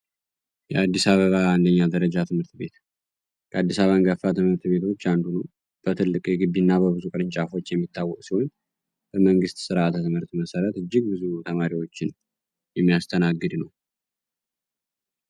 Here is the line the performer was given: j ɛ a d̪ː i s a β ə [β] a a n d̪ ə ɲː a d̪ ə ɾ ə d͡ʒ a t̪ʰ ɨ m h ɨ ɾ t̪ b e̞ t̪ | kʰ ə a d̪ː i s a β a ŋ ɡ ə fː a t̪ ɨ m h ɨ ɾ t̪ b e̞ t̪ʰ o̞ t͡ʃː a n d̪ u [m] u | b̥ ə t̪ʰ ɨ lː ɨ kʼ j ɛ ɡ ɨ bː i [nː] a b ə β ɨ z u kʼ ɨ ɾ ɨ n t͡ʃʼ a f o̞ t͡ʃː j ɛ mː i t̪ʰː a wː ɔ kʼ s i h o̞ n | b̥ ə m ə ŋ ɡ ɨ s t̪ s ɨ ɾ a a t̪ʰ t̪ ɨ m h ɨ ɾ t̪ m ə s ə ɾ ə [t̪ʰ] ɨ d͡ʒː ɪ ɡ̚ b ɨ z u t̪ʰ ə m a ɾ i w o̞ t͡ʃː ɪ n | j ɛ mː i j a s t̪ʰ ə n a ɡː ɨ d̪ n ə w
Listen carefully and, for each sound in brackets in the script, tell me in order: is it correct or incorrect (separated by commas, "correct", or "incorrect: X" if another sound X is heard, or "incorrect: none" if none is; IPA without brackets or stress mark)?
correct, incorrect: n, correct, incorrect: t̪